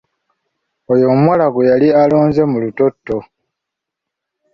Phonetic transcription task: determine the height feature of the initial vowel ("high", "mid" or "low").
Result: mid